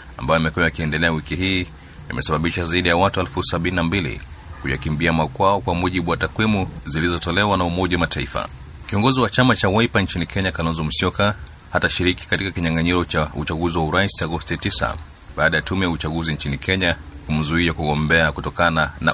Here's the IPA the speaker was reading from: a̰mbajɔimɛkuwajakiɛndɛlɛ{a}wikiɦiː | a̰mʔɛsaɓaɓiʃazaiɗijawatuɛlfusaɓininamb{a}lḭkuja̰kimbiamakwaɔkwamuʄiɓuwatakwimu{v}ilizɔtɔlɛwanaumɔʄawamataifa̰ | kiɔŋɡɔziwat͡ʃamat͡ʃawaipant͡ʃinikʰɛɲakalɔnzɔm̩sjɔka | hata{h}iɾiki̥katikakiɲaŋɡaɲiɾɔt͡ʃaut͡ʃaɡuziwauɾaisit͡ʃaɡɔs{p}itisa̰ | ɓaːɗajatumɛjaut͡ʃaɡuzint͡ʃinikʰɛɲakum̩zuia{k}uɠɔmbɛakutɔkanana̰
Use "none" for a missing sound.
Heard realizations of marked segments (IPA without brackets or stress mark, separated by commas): a, i, z, ʃ, t, k